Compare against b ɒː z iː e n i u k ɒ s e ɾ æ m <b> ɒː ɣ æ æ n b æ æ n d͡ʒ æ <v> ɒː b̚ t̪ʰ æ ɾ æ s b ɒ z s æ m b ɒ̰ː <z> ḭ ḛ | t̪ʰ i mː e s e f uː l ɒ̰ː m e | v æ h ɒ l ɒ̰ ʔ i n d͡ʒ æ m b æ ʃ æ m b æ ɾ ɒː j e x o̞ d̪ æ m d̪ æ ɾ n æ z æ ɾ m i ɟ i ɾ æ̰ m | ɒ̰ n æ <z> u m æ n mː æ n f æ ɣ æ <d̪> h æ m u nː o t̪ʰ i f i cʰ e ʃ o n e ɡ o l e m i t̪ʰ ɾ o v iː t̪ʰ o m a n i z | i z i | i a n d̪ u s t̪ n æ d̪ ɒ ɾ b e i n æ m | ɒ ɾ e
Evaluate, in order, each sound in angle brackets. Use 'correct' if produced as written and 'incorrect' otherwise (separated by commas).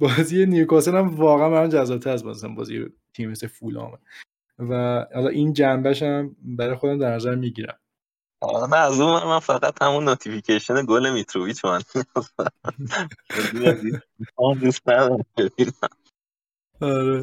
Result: incorrect, incorrect, correct, correct, incorrect